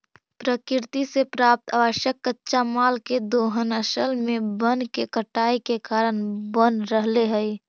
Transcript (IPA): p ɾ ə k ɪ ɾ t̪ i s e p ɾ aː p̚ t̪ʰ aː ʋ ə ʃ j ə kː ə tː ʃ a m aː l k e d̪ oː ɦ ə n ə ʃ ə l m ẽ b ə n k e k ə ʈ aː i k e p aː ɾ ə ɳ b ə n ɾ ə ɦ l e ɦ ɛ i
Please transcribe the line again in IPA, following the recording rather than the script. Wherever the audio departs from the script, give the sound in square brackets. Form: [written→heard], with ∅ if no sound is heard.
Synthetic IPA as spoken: p ɾ ə k ɪ ɾ t̪ i s e p ɾ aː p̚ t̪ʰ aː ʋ ə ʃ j ə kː ə tː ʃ a m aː l k e d̪ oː ɦ ə n ə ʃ ə l m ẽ b ə n k e k ə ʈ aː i k e [p→k] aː ɾ ə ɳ b ə n ɾ ə ɦ l e ɦ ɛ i